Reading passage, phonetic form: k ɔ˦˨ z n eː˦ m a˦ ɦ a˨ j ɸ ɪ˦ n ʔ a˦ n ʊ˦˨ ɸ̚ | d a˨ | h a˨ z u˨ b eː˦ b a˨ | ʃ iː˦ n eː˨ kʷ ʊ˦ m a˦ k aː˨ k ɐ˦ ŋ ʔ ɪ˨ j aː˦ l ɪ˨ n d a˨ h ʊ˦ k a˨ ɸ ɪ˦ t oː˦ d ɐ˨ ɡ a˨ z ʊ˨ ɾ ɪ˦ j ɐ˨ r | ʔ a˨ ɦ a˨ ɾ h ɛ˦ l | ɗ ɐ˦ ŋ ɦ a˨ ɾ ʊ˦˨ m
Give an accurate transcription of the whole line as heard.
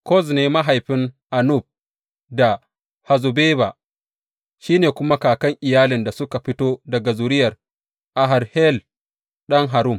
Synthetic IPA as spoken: k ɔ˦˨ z n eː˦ m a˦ ɦ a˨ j ɸ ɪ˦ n ʔ a˨ n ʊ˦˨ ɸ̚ | d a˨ | h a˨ z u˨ b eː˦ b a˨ | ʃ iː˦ n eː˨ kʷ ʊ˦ m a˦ k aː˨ k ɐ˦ ŋ ʔ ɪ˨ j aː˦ l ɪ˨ n d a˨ s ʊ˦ k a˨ ɸ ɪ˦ t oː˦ d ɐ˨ ɡ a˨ z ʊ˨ ɾ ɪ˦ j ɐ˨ r | ʔ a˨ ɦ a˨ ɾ h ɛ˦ l | ɗ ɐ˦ ŋ ɦ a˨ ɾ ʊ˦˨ m